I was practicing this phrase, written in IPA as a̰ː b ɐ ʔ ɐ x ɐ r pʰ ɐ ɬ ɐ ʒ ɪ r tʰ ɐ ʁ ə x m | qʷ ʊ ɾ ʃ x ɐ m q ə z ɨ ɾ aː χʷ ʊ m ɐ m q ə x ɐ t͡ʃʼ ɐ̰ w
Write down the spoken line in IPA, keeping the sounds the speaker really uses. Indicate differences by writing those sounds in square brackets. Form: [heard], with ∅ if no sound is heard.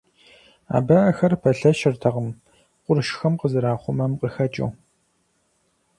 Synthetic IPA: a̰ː b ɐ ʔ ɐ x ɐ r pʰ ɐ ɬ ɐ [ʃ] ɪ r tʰ ɐ ʁ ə [∅] m | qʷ ʊ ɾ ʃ x ɐ m q ə z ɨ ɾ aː χʷ ʊ m ɐ m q ə x ɐ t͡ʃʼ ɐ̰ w